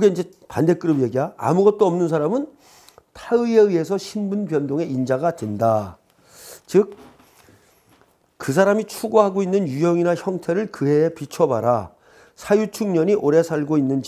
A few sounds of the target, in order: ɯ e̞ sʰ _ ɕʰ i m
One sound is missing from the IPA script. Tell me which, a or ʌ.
ʌ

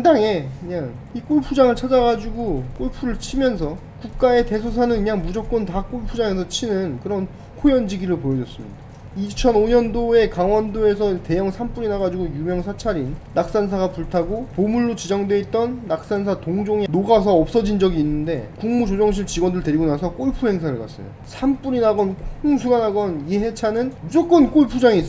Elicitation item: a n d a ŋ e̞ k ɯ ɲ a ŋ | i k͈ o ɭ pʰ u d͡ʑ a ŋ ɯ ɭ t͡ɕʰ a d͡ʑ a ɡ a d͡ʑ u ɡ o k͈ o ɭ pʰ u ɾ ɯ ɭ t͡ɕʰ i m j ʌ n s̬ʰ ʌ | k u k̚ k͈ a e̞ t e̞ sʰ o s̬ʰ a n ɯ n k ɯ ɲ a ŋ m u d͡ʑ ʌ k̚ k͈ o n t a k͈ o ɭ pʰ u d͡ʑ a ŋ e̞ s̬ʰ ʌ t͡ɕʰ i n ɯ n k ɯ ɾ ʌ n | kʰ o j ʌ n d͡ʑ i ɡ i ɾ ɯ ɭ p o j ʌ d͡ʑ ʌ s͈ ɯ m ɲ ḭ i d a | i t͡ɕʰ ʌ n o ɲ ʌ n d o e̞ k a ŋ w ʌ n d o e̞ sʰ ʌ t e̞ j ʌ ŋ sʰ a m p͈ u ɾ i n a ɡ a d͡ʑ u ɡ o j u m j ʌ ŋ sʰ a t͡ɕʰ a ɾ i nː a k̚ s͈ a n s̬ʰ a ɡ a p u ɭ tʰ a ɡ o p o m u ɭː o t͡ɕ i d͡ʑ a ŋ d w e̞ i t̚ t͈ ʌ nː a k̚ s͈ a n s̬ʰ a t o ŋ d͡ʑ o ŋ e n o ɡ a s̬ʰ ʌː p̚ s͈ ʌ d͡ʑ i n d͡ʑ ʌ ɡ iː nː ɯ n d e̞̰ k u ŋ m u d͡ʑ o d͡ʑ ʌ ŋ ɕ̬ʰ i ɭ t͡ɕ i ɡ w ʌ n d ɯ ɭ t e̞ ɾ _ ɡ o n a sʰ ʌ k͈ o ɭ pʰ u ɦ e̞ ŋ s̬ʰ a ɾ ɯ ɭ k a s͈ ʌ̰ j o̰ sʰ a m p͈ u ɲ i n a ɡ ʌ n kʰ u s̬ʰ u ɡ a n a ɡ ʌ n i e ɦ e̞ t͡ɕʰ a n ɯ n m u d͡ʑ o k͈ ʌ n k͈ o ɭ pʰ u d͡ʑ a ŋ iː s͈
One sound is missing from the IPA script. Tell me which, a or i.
i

